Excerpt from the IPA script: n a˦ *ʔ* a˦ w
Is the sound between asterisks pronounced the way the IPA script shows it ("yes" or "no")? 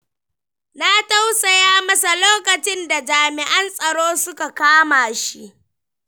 no